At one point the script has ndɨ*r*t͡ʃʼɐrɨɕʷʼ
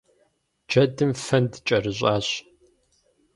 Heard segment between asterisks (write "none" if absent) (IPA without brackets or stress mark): none